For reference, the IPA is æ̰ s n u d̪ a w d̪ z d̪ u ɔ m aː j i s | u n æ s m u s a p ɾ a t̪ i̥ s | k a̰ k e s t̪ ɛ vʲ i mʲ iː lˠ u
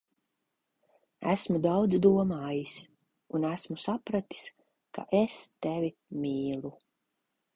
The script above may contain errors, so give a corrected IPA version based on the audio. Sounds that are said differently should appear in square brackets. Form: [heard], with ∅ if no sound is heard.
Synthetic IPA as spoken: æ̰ s [m] u d̪ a w d̪ z d̪ u ɔ m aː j i s | u n æ s m u s a p ɾ a t̪ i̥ s | k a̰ [ʔ] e s t̪ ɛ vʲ i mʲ iː lˠ u